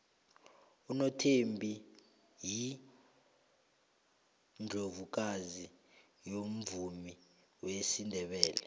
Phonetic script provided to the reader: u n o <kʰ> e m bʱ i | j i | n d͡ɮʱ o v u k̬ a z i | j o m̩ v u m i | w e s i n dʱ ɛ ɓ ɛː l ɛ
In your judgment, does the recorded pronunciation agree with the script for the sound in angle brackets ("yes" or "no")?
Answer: no